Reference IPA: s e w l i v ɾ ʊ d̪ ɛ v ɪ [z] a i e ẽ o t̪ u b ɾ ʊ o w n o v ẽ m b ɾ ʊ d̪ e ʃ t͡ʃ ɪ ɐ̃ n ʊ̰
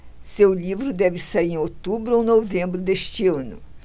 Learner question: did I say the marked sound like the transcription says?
no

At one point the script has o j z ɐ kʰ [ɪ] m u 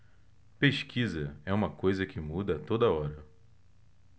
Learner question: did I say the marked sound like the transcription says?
yes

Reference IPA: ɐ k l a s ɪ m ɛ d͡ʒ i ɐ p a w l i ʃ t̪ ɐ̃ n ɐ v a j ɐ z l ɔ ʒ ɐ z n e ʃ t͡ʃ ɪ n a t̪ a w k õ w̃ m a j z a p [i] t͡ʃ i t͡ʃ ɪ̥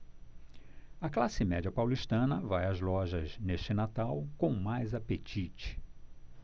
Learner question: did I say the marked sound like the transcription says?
no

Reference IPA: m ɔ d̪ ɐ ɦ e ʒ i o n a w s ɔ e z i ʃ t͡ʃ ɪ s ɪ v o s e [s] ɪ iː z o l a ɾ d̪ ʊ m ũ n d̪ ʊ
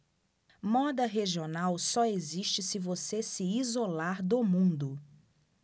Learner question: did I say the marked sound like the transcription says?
yes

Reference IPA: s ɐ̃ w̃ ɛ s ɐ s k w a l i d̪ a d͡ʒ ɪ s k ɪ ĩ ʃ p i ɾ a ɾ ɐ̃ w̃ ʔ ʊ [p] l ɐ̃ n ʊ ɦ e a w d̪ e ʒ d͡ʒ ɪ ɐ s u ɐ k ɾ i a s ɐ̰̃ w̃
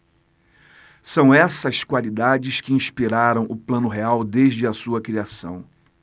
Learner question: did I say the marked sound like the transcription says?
yes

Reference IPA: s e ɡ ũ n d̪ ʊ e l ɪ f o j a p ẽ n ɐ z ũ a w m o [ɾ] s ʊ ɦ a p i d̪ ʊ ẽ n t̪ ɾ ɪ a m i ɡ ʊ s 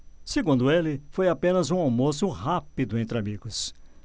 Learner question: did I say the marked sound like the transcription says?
no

